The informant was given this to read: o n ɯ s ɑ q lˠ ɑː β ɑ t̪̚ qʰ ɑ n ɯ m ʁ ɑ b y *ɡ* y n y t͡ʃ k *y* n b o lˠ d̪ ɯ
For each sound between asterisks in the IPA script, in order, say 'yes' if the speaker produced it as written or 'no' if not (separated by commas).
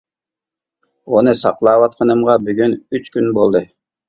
yes, yes